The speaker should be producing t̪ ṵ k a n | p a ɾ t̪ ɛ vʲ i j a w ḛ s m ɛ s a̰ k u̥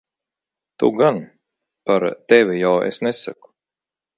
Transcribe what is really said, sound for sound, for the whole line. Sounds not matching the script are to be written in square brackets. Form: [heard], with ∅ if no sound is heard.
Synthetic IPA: t̪ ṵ [ɡ] a n | p a ɾ t̪ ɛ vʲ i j a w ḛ s [n] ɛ s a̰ k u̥